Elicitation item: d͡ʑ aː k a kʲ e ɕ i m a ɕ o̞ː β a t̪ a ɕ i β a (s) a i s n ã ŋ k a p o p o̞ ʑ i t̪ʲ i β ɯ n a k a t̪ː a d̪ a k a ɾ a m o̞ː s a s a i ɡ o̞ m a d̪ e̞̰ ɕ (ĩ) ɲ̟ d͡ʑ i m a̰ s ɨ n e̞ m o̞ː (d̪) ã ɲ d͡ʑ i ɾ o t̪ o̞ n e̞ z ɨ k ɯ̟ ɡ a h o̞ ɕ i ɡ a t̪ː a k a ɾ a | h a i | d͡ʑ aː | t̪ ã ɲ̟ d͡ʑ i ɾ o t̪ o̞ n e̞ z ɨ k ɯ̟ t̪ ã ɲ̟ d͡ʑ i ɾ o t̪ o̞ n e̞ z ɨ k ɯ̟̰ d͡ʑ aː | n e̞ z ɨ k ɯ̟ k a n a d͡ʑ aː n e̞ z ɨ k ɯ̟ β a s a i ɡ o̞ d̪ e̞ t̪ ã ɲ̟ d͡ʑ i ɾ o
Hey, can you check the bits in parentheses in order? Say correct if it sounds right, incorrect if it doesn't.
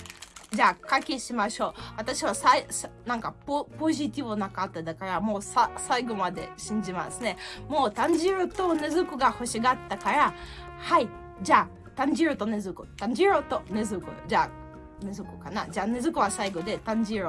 correct, correct, incorrect: t̪

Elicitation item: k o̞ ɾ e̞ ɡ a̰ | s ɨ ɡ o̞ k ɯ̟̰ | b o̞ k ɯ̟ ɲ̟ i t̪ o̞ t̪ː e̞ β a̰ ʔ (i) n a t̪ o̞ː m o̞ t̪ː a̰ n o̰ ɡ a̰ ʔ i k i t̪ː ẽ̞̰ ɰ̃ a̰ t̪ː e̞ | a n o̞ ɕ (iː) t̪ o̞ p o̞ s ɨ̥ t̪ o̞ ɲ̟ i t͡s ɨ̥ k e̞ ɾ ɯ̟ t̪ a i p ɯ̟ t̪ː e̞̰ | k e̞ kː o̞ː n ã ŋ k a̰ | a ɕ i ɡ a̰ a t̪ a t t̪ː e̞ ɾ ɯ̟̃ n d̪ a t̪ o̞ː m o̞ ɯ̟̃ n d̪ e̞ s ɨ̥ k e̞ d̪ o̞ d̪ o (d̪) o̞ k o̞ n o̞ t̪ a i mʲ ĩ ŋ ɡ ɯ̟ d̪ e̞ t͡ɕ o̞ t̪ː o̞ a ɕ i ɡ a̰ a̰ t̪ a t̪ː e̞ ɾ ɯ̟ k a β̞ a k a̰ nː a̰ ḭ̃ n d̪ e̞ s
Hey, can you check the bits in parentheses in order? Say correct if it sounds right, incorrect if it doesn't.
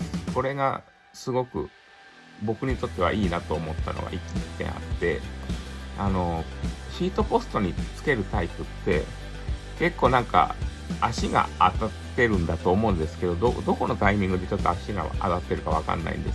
incorrect: iː, correct, correct

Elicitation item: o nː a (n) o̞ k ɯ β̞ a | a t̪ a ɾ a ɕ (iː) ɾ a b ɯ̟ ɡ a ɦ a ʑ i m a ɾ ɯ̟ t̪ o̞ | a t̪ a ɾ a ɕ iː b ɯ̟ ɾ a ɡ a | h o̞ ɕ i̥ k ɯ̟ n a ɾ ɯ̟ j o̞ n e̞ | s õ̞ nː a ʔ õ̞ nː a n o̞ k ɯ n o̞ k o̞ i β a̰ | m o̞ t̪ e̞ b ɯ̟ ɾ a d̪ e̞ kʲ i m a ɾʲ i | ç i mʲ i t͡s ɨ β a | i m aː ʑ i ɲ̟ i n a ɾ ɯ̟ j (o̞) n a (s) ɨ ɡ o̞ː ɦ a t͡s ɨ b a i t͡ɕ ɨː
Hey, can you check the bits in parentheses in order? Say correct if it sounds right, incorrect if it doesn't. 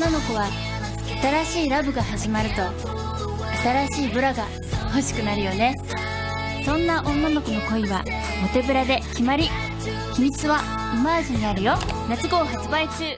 correct, correct, correct, incorrect: t͡s

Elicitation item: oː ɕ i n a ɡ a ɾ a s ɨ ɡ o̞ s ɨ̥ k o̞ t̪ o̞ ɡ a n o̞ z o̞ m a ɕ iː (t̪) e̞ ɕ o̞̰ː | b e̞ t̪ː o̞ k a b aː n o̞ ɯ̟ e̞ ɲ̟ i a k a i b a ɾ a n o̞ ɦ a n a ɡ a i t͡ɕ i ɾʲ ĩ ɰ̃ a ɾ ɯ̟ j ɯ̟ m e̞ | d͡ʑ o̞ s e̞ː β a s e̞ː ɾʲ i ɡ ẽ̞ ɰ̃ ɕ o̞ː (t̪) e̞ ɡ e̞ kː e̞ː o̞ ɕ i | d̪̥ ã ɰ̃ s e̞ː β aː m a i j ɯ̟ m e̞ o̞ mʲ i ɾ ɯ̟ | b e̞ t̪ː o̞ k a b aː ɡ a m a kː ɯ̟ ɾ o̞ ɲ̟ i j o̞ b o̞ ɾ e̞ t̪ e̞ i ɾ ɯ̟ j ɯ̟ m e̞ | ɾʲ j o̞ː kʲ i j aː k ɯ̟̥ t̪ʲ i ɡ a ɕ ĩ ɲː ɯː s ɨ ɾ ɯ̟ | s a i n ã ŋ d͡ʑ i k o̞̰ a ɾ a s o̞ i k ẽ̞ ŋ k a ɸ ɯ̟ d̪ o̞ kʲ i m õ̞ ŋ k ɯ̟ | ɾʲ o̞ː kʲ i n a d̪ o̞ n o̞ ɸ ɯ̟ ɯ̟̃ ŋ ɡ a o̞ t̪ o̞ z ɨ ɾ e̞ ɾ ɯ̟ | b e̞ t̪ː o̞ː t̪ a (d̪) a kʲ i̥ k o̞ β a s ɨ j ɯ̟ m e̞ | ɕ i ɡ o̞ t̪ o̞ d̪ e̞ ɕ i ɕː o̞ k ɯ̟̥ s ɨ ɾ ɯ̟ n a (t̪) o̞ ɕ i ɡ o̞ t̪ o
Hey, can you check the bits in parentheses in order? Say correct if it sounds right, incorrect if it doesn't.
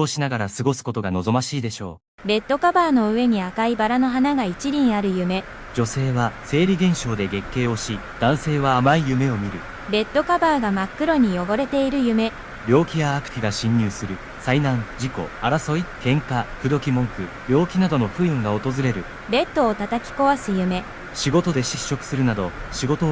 incorrect: d̪, incorrect: d̪, incorrect: t̪, incorrect: d̪

